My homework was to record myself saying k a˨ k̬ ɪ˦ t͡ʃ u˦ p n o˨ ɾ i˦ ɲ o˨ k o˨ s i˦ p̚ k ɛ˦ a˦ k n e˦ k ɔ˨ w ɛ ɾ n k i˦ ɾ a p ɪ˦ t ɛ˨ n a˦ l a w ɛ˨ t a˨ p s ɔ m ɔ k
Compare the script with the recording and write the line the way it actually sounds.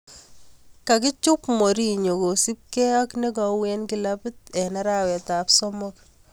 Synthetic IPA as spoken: k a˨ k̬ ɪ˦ t͡ʃ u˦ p m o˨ ɾ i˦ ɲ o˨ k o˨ s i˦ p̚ k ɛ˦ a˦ k n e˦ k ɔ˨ w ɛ n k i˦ l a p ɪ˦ t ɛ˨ n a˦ ɾ a w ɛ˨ t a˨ p s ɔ m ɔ k